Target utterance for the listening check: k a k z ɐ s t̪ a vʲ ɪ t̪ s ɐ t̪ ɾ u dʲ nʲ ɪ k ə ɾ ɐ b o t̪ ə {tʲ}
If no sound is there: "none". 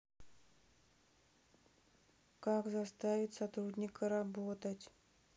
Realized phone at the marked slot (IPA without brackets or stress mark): tʲ